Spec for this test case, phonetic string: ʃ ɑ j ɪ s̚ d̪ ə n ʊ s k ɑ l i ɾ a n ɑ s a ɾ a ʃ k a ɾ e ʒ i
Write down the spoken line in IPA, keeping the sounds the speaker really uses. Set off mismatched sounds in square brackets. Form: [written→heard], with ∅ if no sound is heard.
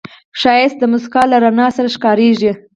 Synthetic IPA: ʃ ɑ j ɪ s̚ d̪ ə [n→m] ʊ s k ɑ l [i→a] ɾ a n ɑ s a ɾ a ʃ k [a→ɑ] ɾ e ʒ i